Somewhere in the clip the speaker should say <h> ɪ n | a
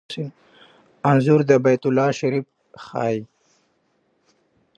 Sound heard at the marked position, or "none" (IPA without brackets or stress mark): s